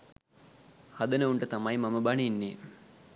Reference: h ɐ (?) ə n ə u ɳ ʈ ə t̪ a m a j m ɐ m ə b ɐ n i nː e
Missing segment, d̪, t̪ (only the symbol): d̪